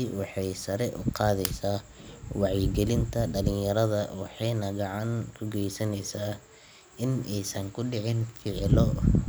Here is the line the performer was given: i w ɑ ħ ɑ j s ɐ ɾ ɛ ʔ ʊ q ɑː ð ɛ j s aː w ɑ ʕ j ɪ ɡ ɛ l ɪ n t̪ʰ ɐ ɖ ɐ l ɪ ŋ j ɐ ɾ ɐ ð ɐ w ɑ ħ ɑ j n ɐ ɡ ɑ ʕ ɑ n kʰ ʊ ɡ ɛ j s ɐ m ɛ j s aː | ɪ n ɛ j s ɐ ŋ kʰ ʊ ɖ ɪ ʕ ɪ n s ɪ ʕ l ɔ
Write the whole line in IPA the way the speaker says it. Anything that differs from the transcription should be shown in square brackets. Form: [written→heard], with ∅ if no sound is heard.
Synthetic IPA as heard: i w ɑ ħ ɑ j s ɐ ɾ ɛ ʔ ʊ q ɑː ð ɛ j s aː w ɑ ʕ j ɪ ɡ ɛ l ɪ n t̪ʰ ɐ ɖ ɐ l ɪ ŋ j ɐ ɾ ɐ ð ɐ w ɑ ħ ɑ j n ɐ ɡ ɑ ʕ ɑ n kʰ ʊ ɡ ɛ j s ɐ [m→n] ɛ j s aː | ɪ n ɛ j s ɐ ŋ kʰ ʊ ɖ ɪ ʕ ɪ n [s→f] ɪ ʕ l ɔ